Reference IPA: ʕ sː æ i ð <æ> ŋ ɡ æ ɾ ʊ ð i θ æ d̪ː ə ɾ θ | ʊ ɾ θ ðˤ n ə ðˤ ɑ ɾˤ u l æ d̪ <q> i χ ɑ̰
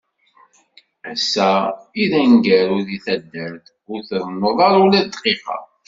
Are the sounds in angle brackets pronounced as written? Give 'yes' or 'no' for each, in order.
yes, yes

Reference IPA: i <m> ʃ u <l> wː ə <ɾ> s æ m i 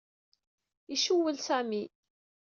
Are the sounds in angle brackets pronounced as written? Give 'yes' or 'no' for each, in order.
no, no, no

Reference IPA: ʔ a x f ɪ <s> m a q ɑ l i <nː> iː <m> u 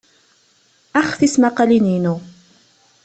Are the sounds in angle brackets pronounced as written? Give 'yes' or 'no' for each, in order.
yes, no, no

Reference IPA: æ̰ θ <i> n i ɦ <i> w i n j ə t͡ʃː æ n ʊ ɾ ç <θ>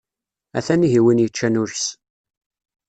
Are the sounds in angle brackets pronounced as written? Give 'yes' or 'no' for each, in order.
no, yes, no

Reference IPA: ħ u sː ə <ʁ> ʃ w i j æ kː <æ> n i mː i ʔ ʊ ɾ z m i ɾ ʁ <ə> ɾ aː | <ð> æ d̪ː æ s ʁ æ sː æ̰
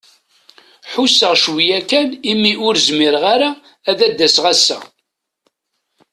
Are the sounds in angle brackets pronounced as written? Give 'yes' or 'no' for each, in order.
yes, yes, no, yes

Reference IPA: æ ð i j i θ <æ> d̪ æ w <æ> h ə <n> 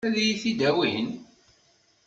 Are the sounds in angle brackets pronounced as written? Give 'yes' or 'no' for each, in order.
no, no, yes

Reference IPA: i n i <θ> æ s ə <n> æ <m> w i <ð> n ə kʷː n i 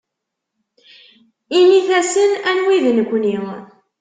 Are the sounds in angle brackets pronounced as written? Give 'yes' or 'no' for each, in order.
yes, yes, no, yes

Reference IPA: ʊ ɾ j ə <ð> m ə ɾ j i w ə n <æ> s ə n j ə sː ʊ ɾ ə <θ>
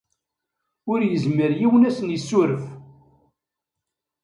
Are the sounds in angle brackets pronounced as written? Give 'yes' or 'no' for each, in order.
no, yes, no

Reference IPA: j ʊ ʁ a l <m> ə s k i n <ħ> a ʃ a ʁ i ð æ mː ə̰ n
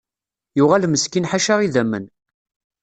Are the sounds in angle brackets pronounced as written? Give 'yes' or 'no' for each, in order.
yes, yes

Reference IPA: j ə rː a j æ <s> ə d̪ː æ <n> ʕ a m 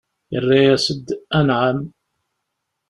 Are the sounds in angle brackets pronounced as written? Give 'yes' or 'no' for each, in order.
yes, yes

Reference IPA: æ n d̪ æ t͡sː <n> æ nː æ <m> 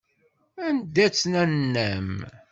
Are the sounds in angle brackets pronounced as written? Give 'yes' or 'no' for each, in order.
yes, yes

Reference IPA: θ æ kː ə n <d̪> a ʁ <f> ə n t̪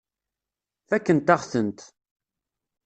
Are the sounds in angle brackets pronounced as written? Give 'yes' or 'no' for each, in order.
no, no

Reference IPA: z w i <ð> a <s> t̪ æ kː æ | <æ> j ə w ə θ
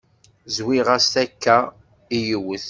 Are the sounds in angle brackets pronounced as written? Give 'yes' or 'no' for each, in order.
no, yes, no

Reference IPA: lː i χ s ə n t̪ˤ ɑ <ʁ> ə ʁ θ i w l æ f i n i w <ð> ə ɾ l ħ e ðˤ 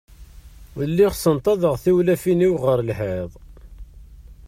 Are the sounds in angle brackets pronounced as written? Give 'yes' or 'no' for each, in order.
no, no

